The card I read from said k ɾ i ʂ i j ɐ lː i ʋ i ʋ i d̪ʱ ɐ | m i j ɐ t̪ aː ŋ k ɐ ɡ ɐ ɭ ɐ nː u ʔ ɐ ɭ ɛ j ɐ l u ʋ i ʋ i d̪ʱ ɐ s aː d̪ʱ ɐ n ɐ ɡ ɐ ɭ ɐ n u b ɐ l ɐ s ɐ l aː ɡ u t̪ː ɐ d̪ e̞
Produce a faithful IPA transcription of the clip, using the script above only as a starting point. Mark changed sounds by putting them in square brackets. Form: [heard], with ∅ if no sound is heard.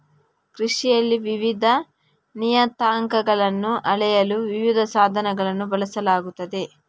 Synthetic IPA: k ɾ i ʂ i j ɐ lː i ʋ i ʋ i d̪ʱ ɐ | [n] i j ɐ t̪ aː ŋ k ɐ ɡ ɐ ɭ ɐ nː u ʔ ɐ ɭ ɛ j ɐ l u ʋ i ʋ i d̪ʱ ɐ s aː d̪ʱ ɐ n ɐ ɡ ɐ ɭ ɐ [nː] u b ɐ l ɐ s ɐ l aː ɡ u t̪ː ɐ d̪ e̞